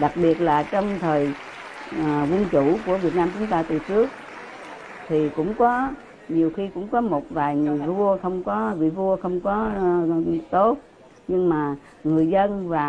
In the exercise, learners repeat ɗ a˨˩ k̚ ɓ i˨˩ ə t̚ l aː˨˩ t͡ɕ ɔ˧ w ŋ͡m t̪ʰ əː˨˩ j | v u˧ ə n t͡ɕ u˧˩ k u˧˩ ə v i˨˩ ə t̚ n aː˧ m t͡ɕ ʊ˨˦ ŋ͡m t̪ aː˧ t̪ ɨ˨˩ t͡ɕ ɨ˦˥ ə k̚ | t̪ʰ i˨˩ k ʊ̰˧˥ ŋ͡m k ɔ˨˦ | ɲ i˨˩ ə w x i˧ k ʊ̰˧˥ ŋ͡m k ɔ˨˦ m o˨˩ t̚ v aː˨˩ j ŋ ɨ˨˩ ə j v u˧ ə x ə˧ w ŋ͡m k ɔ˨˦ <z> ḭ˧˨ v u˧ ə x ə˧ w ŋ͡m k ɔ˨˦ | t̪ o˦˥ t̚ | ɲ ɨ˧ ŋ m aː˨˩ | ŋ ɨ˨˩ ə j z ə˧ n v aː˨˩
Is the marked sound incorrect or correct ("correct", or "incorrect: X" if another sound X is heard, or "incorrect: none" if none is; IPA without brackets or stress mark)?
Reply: incorrect: v